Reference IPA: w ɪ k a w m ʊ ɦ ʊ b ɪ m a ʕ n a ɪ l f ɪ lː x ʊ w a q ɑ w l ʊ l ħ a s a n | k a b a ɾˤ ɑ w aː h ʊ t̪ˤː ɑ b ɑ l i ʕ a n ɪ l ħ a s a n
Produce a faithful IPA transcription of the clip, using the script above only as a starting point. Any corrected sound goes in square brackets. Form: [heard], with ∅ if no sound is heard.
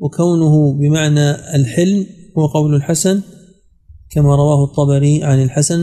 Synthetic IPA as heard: w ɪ k a w [n] ʊ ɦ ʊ b ɪ m a ʕ n a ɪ l [ħ] ɪ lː [h] ʊ w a q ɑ w l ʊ l ħ a s a n | k a [m] a ɾˤ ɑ w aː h ʊ t̪ˤː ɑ b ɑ [ɾ] i ʕ a n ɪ l ħ a s a n